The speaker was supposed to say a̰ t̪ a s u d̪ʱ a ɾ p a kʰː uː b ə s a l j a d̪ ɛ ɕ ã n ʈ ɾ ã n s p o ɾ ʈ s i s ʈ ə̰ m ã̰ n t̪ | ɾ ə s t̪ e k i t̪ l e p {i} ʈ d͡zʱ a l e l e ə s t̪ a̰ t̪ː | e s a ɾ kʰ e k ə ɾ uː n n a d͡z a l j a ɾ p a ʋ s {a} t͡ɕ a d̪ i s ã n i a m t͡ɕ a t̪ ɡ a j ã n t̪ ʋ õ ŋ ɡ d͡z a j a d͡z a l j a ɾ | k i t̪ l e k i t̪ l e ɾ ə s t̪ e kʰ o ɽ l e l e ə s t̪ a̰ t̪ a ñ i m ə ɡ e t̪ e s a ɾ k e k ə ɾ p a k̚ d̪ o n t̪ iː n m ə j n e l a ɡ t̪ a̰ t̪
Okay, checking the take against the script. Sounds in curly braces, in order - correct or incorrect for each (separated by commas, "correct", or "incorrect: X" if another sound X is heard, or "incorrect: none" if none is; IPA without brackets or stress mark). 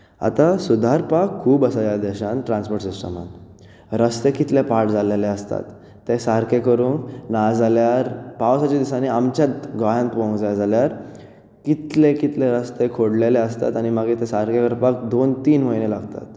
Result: incorrect: a, correct